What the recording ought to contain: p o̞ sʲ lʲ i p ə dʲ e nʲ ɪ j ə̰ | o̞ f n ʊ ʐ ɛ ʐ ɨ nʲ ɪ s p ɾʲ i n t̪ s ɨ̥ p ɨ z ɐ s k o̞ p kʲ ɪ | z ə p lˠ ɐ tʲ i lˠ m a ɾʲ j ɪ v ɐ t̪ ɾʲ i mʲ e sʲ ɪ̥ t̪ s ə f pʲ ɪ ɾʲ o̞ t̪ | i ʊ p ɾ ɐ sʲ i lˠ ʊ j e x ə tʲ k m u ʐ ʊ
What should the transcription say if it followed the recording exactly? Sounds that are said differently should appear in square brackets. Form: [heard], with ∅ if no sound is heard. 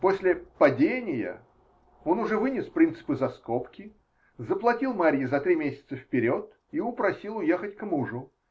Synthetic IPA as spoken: p o̞ sʲ lʲ [ɪ] p [ɐ] dʲ e nʲ ɪ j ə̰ | o̞ [∅] n ʊ ʐ ɛ [v] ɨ nʲ ɪ s p ɾʲ i n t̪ s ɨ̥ p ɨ z ɐ s k o̞ p kʲ ɪ | z ə p lˠ ɐ tʲ i lˠ m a ɾʲ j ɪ [z] ɐ t̪ ɾʲ i mʲ e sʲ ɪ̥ t̪ s ə f pʲ ɪ ɾʲ o̞ t̪ | i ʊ p ɾ ɐ sʲ i lˠ ʊ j e x ə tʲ k m u ʐ ʊ